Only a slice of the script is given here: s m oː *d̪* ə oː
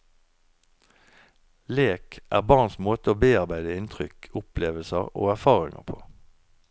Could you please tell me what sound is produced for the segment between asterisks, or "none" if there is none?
t̪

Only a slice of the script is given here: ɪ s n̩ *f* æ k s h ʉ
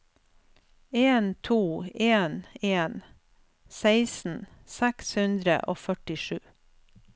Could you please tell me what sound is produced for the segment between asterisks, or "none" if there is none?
s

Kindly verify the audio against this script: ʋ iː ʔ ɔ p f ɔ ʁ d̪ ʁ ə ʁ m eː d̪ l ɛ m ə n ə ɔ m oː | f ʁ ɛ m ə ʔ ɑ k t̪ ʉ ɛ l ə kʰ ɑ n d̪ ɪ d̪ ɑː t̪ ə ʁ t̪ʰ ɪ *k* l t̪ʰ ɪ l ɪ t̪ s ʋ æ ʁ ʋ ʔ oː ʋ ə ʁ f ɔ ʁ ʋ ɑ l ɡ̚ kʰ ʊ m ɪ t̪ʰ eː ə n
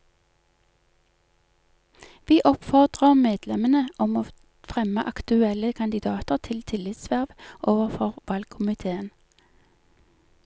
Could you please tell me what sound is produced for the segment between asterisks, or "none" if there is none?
none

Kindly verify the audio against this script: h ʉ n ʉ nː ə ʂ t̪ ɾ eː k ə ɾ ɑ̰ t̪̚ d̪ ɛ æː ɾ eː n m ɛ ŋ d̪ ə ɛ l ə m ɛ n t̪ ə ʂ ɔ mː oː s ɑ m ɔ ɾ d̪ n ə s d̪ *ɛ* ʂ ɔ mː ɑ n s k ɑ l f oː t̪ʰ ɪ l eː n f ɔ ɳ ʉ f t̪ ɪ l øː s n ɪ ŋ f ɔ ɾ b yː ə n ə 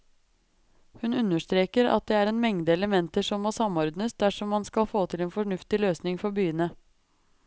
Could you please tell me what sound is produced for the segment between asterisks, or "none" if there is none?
æ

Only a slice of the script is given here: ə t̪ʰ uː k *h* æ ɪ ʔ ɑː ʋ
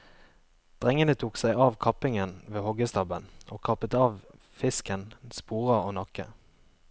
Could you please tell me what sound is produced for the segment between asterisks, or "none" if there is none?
s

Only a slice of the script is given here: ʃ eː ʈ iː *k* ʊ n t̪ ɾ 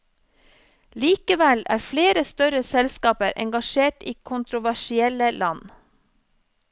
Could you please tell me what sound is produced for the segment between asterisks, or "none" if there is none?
kʰ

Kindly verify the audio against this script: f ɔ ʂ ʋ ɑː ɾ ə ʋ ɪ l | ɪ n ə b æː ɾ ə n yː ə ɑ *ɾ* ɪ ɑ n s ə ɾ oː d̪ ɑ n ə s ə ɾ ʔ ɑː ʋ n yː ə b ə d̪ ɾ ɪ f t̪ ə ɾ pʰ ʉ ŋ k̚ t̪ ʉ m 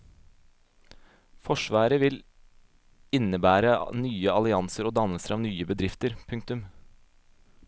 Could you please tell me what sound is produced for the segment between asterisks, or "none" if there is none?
l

